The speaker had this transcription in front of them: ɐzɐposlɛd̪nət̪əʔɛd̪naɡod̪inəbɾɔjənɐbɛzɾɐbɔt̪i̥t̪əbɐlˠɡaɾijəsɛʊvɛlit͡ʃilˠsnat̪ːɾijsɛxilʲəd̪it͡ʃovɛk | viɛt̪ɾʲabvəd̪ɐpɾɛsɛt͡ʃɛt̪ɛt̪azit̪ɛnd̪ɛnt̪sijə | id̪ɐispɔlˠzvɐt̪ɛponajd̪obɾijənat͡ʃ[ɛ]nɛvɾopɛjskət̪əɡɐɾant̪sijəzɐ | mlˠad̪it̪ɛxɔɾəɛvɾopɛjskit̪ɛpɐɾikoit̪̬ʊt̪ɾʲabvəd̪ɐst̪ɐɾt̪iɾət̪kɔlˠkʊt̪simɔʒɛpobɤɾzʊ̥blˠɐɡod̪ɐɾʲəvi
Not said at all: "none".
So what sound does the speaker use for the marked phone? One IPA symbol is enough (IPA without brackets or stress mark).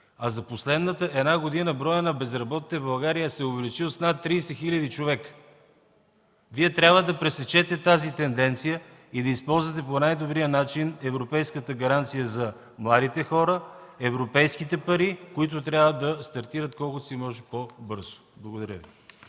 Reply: i